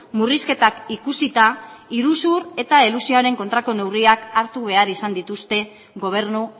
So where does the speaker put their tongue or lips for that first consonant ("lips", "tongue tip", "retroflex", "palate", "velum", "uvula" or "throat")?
lips